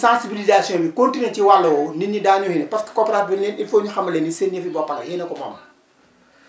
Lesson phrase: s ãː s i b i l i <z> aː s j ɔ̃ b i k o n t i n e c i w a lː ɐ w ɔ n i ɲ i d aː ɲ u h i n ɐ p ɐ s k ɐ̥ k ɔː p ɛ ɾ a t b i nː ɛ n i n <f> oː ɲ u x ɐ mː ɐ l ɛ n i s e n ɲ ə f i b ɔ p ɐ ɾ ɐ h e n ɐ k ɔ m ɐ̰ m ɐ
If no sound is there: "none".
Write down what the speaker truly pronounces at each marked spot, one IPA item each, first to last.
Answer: z, f

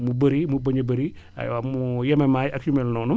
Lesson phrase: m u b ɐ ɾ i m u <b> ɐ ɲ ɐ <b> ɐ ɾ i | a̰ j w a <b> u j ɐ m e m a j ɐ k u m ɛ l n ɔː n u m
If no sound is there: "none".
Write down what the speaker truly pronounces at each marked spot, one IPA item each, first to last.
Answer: b, b, m

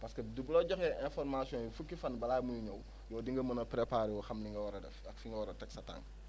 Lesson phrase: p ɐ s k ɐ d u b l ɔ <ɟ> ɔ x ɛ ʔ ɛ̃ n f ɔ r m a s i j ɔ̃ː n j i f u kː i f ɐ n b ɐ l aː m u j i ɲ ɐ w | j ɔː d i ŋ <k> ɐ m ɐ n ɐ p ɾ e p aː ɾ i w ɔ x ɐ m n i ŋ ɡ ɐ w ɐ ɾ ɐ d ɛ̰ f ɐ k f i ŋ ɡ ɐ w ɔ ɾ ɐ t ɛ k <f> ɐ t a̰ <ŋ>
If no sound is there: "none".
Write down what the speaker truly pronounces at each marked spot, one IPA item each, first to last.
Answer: ɟ, ɡ, s, ŋ

